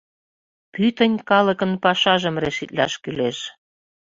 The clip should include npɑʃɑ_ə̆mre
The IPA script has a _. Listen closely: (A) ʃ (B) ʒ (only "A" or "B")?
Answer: B